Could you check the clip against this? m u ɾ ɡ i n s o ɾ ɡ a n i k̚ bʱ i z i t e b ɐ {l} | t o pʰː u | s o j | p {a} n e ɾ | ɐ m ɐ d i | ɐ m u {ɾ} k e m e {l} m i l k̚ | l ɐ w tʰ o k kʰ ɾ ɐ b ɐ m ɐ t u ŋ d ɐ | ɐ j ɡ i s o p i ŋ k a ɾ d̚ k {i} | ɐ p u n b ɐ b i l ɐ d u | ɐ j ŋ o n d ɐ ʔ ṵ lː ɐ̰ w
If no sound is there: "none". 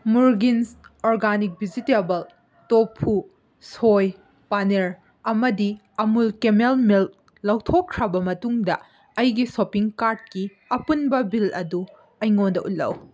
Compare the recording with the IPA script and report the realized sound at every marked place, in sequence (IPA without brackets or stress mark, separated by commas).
l, a, l, l, i